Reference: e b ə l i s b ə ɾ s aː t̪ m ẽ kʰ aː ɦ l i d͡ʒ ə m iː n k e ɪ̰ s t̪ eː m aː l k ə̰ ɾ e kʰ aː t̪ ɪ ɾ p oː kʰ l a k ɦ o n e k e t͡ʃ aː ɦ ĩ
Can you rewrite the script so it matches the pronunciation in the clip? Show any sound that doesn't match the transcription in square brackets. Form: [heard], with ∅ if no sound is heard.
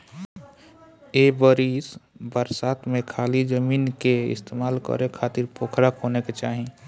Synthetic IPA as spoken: e b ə [ɾ] i s b ə ɾ s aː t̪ m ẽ kʰ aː [∅] l i d͡ʒ ə m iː n k e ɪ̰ s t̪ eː m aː l k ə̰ ɾ e kʰ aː t̪ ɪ ɾ p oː kʰ [ɾ] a k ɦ o n e k e t͡ʃ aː ɦ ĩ